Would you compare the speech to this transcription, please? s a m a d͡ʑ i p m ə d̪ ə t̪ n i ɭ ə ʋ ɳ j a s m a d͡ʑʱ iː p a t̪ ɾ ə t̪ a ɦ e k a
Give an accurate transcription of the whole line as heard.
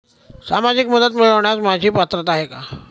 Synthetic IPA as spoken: s a m a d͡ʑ i k m ə d̪ ə t̪ m i ɭ ə ʋ ɳ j a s m a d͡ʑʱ iː p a t̪ ɾ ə t̪ a ɦ e k a